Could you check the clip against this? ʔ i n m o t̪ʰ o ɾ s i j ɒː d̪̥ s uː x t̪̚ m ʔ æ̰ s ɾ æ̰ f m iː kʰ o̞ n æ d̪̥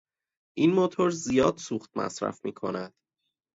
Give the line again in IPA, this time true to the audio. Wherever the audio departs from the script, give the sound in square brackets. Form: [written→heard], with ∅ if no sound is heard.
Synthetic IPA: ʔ i n m o t̪ʰ o ɾ [s→z] i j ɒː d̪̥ s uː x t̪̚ m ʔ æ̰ s ɾ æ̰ f m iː kʰ o̞ n æ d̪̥